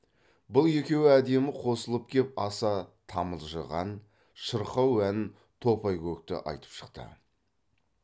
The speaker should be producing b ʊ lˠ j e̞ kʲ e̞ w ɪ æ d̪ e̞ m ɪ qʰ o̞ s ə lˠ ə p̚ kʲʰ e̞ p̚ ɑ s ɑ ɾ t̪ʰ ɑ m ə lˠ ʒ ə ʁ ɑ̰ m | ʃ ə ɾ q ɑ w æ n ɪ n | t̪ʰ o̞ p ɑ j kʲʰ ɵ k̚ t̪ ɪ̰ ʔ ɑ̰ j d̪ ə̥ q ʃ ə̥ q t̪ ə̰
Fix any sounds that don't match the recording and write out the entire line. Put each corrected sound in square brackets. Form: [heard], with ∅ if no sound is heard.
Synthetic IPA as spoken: b ʊ lˠ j e̞ kʲ e̞ w ɪ æ d̪ e̞ m ɪ qʰ o̞ s ə lˠ ə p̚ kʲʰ e̞ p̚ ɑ s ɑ [∅] t̪ʰ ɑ m ə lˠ ʒ ə ʁ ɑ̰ [n] | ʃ ə ɾ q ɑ w æ n ɪ n | t̪ʰ o̞ p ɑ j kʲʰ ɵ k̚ t̪ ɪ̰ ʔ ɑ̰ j [t̪] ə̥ [p] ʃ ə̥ q t̪ ə̰